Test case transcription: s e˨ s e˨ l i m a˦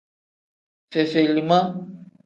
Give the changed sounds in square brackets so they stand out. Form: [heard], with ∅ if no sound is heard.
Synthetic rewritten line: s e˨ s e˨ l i m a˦